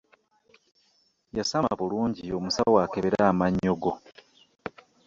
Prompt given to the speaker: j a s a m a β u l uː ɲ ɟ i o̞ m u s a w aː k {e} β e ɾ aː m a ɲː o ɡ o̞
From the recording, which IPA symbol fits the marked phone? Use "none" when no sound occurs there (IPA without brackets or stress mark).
e